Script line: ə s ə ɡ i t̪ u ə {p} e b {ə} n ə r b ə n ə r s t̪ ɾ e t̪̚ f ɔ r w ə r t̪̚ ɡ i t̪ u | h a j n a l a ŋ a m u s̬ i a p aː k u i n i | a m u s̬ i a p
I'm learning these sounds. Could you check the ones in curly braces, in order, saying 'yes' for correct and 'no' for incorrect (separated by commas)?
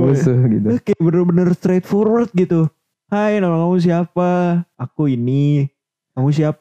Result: no, yes